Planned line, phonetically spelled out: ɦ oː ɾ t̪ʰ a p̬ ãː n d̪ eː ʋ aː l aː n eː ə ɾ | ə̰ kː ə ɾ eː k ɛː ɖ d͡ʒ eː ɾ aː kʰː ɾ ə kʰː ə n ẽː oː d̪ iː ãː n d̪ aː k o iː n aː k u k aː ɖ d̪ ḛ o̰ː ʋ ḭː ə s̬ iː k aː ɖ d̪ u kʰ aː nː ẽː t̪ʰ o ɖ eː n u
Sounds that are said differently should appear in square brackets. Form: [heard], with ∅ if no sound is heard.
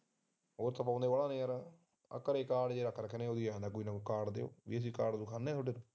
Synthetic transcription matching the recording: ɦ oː ɾ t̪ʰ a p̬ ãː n d̪ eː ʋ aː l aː n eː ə ɾ | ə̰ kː ə ɾ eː k [aː] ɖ d͡ʒ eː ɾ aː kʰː ɾ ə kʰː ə n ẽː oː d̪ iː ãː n d̪ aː k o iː n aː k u k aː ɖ d̪ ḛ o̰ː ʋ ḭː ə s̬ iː k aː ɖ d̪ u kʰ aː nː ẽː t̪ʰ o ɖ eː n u